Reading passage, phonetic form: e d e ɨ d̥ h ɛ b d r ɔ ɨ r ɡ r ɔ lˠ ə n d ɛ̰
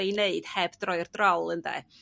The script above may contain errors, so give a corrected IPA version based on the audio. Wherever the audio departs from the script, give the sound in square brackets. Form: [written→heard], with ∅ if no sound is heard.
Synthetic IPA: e [d→n] e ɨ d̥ h ɛ b d r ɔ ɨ r [ɡ→d] r ɔ lˠ ə n d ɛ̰

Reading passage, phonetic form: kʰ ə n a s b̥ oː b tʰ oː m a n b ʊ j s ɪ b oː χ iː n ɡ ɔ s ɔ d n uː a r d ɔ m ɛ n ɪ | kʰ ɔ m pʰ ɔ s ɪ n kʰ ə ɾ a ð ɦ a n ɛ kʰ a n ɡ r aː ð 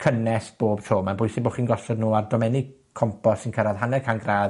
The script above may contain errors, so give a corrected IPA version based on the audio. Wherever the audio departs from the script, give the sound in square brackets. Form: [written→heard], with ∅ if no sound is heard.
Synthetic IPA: kʰ ə n [a→ɛ] s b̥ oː b tʰ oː m a n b ʊ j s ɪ b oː χ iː n ɡ ɔ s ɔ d n uː a r d ɔ m ɛ n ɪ | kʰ ɔ m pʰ ɔ s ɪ n kʰ ə ɾ a ð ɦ a n ɛ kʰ a n ɡ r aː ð

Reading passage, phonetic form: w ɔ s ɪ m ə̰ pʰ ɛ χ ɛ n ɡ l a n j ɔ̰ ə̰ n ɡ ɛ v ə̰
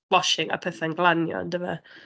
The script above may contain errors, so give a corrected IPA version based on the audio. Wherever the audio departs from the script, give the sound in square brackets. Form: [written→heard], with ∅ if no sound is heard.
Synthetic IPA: w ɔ [s→ʃ] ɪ [m→ŋ] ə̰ pʰ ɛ [χ→θ] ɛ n ɡ l a n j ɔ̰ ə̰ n [ɡ→d] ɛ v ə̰

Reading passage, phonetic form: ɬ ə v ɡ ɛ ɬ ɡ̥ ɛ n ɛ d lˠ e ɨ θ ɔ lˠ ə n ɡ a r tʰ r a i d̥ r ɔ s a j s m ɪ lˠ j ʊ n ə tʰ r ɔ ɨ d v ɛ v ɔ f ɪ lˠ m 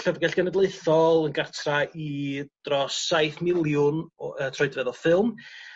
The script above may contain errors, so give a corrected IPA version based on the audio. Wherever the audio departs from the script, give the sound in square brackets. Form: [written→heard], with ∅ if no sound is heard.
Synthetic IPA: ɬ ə v ɡ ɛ ɬ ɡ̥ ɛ n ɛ d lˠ e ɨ θ ɔ lˠ ə n ɡ a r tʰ r a i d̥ r ɔ s a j [s→θ] m ɪ lˠ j ʊ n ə tʰ r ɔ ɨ d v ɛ [v→ð] ɔ f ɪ lˠ m

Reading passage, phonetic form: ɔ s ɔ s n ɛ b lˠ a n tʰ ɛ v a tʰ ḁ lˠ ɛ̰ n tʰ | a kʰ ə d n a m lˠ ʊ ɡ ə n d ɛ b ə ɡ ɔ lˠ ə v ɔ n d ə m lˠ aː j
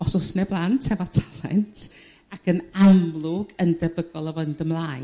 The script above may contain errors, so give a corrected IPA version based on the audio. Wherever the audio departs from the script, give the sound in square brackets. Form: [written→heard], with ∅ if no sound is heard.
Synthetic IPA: ɔ s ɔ s n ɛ b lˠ a n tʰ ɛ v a tʰ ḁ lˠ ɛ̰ n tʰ | a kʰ ə [d→∅] n a m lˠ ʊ ɡ ə n d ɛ b ə ɡ ɔ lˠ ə v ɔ n d ə m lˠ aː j

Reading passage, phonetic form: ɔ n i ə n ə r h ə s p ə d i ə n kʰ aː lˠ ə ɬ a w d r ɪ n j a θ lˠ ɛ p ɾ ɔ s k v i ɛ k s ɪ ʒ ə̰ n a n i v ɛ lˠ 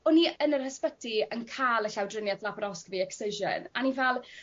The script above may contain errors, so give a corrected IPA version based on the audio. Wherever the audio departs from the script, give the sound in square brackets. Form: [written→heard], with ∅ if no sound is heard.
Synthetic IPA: ɔ n i ə n ə r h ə s p ə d i ə n kʰ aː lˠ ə ɬ a w d r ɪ n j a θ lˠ [ɛ→a] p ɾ ɔ s k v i ɛ k s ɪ ʒ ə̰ n a n i v ɛ lˠ

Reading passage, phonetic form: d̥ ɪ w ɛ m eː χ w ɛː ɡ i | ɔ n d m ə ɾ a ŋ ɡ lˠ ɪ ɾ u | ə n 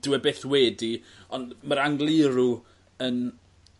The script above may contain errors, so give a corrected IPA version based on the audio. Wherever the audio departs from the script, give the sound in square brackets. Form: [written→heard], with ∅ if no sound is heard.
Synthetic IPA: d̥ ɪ w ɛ [m→b] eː [χ→θ] w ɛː [ɡ→d] i | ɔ n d m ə ɾ a ŋ ɡ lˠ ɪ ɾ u | ə n

